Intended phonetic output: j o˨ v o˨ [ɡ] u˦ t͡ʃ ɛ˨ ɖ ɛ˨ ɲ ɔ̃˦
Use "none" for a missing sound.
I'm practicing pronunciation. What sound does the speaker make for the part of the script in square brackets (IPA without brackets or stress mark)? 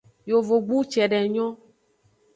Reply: ɡ͡b